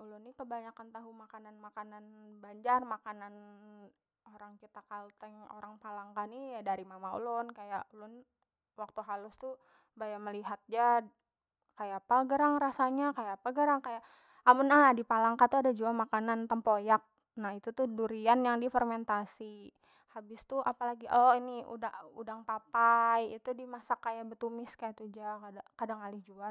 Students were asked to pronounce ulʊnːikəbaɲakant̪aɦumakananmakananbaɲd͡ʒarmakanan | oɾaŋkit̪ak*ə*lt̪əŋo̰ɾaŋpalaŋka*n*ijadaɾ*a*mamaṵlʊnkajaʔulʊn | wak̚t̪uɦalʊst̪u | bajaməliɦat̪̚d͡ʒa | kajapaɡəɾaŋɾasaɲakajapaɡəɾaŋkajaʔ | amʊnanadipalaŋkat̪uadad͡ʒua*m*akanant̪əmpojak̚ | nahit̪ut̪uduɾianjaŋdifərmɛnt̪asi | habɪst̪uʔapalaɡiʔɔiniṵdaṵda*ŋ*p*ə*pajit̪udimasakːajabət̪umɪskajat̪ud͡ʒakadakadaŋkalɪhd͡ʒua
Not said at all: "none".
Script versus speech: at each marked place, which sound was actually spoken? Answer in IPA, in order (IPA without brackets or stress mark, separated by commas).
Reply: a, n, i, m, ŋ, a